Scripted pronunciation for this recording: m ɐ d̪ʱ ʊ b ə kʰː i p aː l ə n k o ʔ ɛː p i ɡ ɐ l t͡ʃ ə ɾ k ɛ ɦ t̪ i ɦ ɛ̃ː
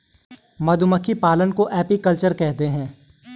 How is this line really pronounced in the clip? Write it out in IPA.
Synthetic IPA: m ɐ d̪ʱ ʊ m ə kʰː i p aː l ə n k o ʔ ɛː p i k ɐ l t͡ʃ ə ɾ k ɛ ɦ t̪ e ɦ ɛ̃ː